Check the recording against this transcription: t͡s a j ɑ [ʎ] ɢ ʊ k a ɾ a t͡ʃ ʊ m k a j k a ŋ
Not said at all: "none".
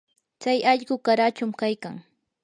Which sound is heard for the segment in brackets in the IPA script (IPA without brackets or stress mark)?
ʎ